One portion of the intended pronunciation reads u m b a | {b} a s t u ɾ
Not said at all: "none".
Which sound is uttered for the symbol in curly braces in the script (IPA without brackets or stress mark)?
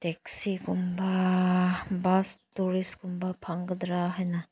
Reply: b